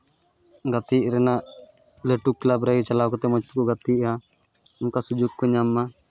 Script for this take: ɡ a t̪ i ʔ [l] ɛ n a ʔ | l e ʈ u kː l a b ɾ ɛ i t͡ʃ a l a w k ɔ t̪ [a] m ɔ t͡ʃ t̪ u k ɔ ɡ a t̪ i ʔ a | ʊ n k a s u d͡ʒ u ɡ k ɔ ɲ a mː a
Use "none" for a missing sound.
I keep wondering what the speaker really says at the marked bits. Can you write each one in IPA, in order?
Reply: ɾ, ɛ

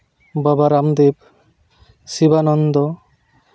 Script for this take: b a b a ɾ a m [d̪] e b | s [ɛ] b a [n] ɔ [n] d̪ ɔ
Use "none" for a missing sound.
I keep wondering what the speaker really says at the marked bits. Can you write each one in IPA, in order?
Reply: d̪, i, n, n

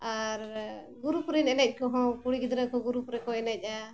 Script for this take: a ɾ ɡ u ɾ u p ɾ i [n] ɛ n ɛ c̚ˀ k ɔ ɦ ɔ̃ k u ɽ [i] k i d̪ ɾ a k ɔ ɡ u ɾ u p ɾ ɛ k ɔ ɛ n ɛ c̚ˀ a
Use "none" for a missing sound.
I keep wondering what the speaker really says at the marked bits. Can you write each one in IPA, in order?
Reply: n, i

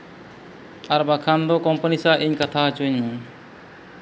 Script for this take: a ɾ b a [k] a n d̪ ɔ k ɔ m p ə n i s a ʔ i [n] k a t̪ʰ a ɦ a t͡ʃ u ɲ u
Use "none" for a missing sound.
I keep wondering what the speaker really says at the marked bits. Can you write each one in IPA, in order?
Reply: kʰ, ɲ

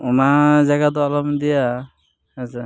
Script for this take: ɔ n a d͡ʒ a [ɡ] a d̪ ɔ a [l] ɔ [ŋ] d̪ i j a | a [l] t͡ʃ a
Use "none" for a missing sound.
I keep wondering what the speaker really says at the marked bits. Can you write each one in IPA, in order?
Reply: ɡ, l, m, none

